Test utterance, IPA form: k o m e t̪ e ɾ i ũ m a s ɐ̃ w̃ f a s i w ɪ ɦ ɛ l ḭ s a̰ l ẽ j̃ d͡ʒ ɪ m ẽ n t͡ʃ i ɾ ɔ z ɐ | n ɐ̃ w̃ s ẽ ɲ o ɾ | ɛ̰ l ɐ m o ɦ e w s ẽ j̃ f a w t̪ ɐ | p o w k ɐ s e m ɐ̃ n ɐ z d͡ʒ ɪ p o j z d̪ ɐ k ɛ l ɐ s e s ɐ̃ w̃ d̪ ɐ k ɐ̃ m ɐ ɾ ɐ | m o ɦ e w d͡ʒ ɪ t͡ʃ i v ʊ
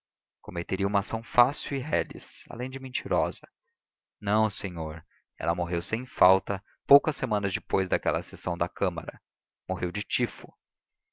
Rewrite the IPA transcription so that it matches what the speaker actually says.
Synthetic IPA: k o m e t̪ e ɾ i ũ m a s ɐ̃ w̃ f a s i w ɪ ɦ ɛ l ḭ s a̰ l ẽ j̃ d͡ʒ ɪ m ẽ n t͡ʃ i ɾ ɔ z ɐ | n ɐ̃ w̃ s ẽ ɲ o ɾ | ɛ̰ l ɐ m o ɦ e w s ẽ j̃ f a w t̪ ɐ | p o w k ɐ s e m ɐ̃ n ɐ z d͡ʒ ɪ p o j z d̪ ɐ k ɛ l ɐ s e s ɐ̃ w̃ d̪ ɐ k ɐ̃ m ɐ ɾ ɐ | m o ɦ e w d͡ʒ ɪ t͡ʃ i f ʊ